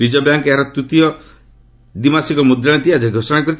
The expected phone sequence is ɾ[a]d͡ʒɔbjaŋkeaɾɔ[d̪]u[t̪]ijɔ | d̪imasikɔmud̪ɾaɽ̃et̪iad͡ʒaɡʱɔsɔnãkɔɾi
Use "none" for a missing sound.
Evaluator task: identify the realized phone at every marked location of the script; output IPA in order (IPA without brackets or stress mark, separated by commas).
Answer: i, t̪, t̪